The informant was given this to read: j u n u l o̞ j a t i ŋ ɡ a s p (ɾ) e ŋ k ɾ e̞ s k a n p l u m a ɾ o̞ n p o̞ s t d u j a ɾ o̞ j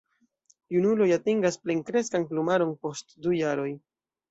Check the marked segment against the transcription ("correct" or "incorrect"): incorrect